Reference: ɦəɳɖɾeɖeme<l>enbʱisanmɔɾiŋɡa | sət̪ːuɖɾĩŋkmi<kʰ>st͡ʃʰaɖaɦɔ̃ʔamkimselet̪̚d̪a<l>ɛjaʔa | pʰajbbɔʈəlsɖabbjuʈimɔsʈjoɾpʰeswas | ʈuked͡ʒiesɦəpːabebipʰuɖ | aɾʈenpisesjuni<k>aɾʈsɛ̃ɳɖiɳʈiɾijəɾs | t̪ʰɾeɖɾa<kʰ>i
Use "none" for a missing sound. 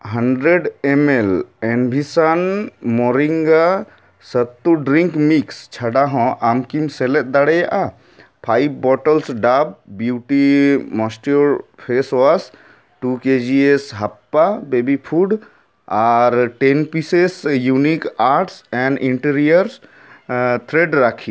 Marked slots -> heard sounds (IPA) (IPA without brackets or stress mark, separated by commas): l, k, ɽ, k, kʰ